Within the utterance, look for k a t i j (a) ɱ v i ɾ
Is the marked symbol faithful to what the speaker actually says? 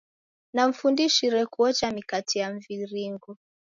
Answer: yes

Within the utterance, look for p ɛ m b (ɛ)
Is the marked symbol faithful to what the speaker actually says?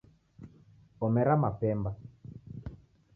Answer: no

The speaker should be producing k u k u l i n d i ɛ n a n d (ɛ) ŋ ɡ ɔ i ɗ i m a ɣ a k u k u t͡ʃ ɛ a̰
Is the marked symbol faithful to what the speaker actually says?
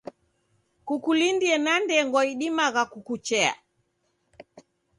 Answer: yes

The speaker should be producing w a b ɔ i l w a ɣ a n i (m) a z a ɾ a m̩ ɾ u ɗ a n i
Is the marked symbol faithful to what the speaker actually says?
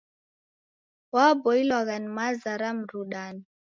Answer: yes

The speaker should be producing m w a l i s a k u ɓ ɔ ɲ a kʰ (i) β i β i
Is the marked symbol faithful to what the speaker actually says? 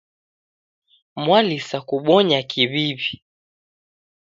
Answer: yes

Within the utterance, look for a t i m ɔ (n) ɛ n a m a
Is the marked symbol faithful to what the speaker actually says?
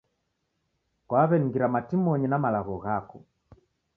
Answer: no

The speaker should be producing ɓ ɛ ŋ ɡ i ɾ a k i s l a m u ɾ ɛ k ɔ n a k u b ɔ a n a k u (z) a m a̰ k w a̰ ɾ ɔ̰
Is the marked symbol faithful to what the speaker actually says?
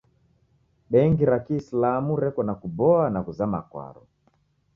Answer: yes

